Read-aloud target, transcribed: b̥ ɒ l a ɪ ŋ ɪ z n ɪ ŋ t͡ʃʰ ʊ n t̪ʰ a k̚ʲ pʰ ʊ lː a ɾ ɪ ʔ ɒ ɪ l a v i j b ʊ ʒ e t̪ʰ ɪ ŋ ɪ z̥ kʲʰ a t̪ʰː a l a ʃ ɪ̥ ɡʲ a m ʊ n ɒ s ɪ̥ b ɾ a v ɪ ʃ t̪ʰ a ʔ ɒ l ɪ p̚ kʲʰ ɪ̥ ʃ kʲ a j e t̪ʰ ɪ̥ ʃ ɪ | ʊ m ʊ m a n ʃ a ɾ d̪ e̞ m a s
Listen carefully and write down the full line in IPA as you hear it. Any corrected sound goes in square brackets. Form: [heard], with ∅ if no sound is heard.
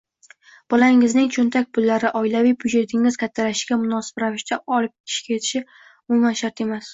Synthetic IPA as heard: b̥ ɒ l a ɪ ŋ ɪ z n ɪ ŋ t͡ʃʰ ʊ n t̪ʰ a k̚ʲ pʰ ʊ lː a ɾ ɪ ʔ ɒ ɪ l a v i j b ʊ [d͡ʒ] e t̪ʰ ɪ ŋ ɪ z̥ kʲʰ a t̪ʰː a l a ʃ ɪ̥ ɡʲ a m ʊ n ɒ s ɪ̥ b ɾ a v ɪ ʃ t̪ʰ a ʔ ɒ l ɪ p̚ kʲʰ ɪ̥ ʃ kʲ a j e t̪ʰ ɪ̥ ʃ ɪ | ʊ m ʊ m a n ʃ a ɾ [t̪] e̞ m a s